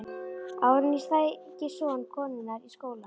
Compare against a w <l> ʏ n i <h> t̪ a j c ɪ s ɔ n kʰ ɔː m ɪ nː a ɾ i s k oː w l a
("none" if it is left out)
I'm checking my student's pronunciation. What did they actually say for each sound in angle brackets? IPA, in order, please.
ɾ, s

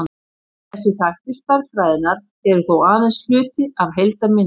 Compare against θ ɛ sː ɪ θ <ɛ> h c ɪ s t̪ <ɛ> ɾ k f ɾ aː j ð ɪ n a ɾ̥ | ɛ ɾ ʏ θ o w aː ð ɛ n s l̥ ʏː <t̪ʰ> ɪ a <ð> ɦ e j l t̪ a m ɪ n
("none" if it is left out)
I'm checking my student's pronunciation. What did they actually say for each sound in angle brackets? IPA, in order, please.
a, a, t̪, v

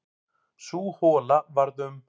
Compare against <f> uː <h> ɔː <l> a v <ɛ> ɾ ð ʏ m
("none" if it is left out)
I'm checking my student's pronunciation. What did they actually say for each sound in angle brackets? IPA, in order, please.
s, h, l, a

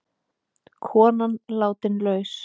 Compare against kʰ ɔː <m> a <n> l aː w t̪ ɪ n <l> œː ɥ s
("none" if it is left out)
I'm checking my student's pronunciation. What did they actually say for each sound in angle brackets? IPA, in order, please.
n, n, l

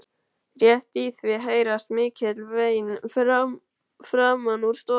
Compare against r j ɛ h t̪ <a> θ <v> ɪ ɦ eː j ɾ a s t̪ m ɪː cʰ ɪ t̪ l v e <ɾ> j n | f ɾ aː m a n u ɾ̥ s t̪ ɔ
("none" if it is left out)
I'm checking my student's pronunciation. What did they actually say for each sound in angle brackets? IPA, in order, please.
i, v, none

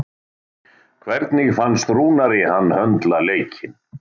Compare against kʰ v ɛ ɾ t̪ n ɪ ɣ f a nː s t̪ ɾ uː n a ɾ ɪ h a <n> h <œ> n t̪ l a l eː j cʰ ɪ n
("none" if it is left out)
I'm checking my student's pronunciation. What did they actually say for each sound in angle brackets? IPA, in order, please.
nː, œ

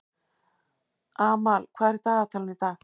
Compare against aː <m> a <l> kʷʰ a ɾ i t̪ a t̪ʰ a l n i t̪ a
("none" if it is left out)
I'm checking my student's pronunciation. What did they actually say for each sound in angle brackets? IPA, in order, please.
m, l

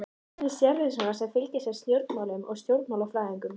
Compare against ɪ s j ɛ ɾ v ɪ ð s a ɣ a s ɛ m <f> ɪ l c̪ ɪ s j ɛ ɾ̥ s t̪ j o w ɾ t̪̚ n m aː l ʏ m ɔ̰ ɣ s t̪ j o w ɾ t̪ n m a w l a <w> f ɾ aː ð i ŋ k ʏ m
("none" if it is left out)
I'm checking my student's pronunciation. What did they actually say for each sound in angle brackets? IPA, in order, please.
f, w

